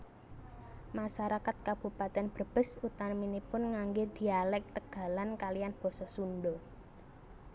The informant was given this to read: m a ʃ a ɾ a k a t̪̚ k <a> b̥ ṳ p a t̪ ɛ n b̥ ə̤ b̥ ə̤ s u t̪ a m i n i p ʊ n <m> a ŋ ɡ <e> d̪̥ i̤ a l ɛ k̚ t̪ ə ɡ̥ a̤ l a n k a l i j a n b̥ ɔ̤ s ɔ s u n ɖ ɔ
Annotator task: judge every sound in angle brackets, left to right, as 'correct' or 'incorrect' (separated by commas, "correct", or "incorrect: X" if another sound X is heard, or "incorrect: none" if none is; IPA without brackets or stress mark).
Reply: correct, incorrect: ŋ, correct